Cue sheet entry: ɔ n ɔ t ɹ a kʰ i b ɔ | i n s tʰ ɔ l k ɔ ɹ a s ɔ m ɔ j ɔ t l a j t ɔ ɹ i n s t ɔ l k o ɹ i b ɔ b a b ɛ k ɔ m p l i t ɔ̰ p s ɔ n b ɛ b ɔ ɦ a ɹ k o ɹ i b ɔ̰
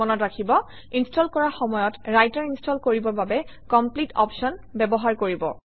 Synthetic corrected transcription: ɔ n ɔ t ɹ a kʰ i b ɔ | i n s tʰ ɔ l k ɔ ɹ a x ɔ m ɔ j ɔ t ɹ a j t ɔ ɹ i n s t ɔ l k o ɹ i b ɔ b a b ɛ k ɔ m p l i t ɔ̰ p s ɔ n b ɛ b ɔ ɦ a ɹ k o ɹ i b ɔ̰